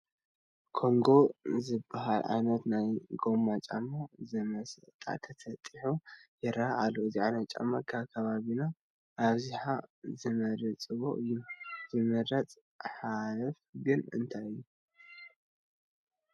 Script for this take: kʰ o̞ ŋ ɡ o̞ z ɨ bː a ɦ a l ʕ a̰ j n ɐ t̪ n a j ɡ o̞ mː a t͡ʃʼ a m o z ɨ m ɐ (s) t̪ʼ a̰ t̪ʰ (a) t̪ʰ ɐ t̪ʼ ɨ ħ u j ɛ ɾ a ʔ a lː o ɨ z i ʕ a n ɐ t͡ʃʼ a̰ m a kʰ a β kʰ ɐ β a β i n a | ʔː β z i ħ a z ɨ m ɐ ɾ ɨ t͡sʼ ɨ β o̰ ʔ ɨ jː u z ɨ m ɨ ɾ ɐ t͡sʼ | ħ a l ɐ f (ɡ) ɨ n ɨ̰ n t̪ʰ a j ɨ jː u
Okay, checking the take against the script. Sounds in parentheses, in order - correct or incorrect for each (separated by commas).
correct, incorrect, correct